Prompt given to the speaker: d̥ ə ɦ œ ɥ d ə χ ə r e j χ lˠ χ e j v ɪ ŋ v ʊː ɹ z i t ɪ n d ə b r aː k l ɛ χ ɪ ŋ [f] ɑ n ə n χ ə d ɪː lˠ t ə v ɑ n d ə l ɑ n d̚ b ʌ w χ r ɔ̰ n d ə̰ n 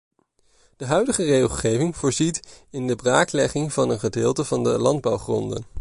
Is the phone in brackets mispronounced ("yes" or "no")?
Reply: yes